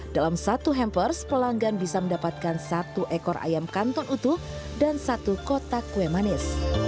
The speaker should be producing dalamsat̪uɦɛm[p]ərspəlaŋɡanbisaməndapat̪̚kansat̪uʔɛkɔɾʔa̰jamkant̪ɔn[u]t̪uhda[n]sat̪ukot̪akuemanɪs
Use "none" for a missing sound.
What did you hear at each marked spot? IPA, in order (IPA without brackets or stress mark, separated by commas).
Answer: p, u, n